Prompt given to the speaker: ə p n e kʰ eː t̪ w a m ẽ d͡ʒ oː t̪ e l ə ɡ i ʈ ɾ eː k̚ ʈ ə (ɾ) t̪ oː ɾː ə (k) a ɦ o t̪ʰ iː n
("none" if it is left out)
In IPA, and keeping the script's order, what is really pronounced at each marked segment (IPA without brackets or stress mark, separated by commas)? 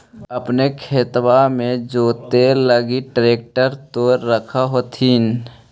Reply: ɾ, kʰ